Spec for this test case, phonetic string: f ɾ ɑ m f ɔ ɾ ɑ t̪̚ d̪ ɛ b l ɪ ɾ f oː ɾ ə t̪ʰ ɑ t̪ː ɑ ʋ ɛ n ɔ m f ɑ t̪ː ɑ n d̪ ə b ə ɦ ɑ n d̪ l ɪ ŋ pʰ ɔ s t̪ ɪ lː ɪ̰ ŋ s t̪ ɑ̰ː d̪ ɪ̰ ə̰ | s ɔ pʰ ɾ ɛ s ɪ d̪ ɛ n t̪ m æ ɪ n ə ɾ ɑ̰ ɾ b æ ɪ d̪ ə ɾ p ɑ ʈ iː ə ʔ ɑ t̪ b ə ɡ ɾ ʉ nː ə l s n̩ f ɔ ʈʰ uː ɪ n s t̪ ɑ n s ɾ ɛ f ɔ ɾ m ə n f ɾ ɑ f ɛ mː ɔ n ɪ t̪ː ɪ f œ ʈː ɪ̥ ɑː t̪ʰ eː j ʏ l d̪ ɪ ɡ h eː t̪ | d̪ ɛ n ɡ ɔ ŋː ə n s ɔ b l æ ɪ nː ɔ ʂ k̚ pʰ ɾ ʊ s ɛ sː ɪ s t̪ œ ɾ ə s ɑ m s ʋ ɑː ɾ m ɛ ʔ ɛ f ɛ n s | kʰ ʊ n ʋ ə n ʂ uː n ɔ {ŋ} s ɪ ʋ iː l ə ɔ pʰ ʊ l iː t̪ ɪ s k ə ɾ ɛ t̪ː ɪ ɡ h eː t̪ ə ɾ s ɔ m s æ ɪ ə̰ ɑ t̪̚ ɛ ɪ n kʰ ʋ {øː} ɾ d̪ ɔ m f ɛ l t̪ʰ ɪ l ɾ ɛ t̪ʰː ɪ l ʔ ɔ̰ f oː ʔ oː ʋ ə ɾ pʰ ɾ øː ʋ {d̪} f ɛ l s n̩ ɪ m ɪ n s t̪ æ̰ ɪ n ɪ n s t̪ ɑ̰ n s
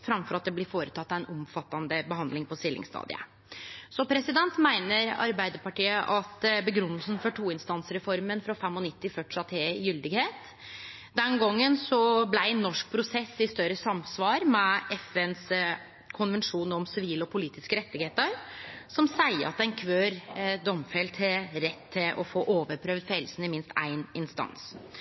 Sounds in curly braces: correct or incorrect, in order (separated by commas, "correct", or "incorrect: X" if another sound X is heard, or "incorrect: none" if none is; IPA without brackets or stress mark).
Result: incorrect: m, correct, correct